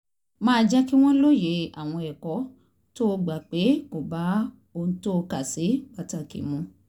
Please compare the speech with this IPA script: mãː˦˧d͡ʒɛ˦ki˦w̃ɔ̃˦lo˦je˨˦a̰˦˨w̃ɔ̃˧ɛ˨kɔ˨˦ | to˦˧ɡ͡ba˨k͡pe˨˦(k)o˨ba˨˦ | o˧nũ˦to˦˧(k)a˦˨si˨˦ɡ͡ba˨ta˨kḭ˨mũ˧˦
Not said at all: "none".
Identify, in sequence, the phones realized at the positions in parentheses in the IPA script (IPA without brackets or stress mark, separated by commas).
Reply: k, k